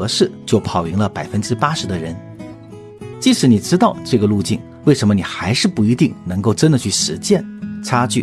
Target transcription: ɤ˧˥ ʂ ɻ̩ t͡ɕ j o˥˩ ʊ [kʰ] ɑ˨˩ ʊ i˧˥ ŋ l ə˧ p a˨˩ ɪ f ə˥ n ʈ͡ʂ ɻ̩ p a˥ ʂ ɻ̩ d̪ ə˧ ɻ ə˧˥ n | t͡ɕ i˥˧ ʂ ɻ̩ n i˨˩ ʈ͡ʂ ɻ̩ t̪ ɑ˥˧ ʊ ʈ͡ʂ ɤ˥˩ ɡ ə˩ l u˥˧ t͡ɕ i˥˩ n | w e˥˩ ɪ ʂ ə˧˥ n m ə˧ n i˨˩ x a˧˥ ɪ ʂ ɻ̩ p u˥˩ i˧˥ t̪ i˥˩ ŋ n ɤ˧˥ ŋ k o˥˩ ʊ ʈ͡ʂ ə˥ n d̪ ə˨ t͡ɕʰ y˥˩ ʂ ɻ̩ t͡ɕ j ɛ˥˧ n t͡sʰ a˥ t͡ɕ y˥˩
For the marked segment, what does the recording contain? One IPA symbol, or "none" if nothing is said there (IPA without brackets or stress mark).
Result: pʰ